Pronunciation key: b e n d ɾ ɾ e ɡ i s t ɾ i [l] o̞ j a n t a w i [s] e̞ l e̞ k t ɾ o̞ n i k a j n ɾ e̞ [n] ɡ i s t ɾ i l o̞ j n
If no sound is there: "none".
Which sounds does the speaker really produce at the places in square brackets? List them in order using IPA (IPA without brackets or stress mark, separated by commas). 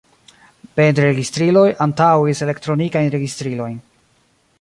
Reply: l, s, none